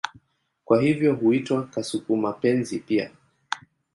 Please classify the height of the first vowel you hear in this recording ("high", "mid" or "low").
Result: low